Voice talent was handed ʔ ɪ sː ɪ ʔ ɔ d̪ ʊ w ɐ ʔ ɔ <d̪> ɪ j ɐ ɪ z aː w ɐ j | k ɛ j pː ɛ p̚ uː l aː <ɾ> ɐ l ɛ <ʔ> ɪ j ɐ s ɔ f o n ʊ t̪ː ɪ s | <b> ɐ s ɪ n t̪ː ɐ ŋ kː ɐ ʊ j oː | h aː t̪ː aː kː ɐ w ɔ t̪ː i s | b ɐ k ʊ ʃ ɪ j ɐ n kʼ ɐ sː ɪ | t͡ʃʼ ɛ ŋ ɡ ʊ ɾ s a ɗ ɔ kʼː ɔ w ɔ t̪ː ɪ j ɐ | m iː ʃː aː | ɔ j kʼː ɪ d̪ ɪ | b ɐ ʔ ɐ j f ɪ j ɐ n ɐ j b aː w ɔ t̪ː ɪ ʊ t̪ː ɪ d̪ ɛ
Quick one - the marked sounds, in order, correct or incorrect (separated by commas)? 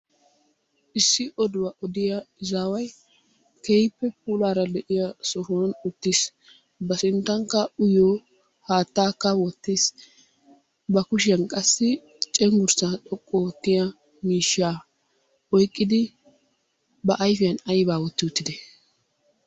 correct, correct, correct, correct